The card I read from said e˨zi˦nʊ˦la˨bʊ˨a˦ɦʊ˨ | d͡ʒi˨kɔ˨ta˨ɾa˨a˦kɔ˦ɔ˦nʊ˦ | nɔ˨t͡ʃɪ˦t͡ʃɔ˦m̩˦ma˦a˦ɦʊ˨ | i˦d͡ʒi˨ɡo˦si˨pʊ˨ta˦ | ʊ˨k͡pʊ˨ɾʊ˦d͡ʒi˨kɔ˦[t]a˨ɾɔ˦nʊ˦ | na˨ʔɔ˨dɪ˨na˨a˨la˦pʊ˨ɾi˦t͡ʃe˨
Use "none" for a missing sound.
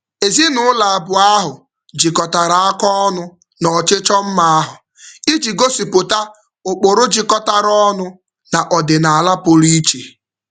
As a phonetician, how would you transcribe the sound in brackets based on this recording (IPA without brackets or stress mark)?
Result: t